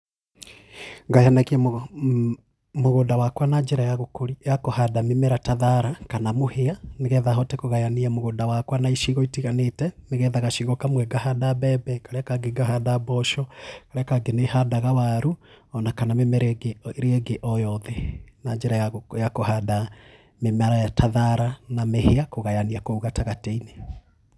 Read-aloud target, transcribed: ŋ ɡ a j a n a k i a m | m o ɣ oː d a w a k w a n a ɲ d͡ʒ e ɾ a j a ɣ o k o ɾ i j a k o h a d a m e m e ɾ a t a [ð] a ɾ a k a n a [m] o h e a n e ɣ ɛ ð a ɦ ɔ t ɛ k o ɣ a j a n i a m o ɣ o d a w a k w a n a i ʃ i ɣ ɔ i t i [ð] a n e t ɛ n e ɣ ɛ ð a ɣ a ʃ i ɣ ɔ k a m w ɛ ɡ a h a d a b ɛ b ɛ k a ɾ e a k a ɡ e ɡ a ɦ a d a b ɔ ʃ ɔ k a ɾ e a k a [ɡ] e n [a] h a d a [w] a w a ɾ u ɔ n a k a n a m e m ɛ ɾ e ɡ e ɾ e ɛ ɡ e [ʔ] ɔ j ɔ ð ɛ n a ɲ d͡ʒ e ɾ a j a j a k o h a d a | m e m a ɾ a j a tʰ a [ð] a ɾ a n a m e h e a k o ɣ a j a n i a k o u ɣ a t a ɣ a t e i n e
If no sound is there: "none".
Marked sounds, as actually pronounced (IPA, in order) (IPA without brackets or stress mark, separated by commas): ð, m, ɣ, ɡ, e, ɣ, ʔ, ð